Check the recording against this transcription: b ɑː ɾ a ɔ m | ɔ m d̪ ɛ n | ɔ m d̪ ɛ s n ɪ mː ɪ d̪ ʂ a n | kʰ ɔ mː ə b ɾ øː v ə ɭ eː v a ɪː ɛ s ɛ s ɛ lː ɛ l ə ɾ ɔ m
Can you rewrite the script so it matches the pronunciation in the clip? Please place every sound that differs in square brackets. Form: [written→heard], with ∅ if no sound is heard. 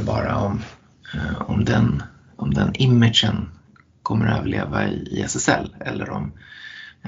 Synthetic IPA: b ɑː ɾ a ɔ m | ɔ m d̪ ɛ n | ɔ m d̪ ɛ [s→∅] n ɪ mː ɪ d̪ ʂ [a→ə] n | kʰ ɔ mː ə [b→∅] ɾ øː v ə ɭ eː v a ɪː ɛ s ɛ s ɛ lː ɛ [l→lː] ə ɾ ɔ m